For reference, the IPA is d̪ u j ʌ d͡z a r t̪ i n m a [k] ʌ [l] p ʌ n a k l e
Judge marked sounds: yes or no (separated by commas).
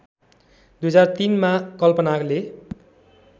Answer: yes, yes